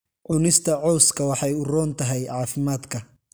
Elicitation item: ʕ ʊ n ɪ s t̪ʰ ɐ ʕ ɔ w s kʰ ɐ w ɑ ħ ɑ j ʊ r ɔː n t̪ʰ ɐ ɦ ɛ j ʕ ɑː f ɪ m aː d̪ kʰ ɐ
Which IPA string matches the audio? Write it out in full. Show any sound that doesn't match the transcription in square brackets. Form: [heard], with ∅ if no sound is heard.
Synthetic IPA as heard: ʕ ʊ n ɪ s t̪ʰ ɐ ʕ ɔ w s kʰ ɐ w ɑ ħ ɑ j ʊ r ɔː n t̪ʰ ɐ ɦ ɛ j ʕ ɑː f ɪ m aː d̪ kʰ ɐ